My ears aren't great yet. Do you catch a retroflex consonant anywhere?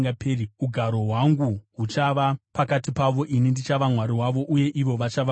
no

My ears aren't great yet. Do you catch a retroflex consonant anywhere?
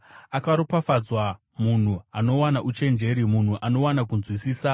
no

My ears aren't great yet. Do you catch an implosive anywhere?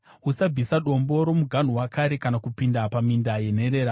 yes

